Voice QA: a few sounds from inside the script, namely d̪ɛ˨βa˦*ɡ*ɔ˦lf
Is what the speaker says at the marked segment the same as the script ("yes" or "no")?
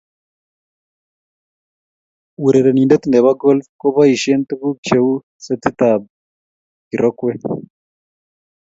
yes